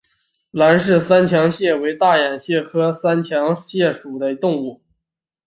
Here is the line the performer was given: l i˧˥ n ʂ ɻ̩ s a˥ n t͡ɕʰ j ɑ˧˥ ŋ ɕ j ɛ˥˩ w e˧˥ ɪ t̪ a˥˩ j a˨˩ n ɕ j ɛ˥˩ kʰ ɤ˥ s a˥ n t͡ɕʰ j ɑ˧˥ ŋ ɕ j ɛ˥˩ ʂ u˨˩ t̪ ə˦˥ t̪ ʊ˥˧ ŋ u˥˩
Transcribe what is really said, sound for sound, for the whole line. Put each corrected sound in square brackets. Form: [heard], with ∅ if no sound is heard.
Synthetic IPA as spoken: l [a˧˥] n ʂ ɻ̩ s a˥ n t͡ɕʰ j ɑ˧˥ ŋ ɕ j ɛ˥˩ w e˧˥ ɪ t̪ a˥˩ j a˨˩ n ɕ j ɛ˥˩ kʰ ɤ˥ s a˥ n t͡ɕʰ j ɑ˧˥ ŋ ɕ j ɛ˥˩ ʂ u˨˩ [d̪] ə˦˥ t̪ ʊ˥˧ ŋ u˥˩